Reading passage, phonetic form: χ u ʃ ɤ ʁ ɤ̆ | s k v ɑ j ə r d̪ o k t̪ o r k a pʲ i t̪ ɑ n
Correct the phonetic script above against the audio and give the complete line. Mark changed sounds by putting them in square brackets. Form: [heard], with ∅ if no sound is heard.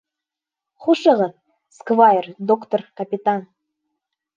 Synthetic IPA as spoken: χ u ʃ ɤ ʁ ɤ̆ | s k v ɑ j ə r d̪ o k t̪ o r k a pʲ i t̪ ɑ n